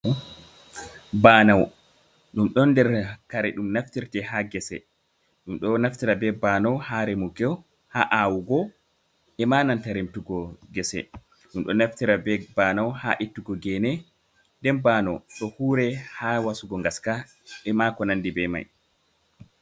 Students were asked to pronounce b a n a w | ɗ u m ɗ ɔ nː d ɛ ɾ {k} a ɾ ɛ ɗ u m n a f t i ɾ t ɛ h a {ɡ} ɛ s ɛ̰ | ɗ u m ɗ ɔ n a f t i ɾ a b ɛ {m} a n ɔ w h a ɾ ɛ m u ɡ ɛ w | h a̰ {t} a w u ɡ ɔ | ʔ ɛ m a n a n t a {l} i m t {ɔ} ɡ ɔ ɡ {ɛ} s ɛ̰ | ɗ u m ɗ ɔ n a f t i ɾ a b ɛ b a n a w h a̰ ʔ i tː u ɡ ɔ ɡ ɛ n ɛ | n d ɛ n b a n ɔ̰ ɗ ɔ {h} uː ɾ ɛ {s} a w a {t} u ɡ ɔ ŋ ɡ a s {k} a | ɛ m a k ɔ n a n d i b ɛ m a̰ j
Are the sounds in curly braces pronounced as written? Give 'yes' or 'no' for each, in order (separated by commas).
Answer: yes, yes, no, no, no, no, yes, yes, no, no, yes